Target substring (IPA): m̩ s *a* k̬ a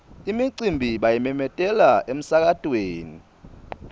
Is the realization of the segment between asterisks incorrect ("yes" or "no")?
no